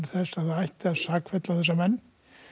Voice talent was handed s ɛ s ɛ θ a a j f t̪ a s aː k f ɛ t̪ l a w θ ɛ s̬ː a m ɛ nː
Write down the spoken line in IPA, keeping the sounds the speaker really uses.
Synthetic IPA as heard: θ ɛ s a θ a a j h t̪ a s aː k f ɛ t̪ l a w θ ɛ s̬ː a m ɛ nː